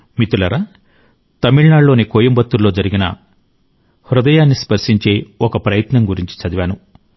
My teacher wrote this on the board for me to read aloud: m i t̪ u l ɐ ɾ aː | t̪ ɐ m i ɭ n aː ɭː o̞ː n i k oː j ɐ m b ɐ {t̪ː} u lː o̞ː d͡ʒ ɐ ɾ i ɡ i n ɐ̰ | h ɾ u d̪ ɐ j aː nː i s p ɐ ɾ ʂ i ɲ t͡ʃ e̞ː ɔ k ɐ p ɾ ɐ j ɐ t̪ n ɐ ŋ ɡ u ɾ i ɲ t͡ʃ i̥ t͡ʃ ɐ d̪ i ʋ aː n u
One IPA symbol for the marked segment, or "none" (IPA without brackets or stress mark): t̪ː